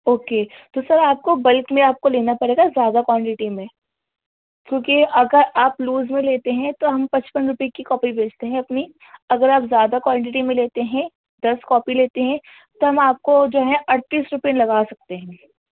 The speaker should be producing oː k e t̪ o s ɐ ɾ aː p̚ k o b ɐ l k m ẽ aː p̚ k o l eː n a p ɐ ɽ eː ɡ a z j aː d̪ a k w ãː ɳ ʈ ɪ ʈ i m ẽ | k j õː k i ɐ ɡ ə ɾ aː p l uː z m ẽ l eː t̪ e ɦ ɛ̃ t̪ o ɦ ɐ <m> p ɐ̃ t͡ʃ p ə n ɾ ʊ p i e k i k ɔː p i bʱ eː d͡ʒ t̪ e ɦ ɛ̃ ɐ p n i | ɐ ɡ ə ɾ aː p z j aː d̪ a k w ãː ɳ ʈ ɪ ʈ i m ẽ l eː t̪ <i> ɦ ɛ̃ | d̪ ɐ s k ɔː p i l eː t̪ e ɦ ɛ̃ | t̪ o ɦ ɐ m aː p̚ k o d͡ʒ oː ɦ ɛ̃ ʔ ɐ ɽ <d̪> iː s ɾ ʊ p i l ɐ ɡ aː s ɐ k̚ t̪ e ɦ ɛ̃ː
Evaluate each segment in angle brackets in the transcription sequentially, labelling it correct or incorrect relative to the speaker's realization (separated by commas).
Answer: correct, incorrect, incorrect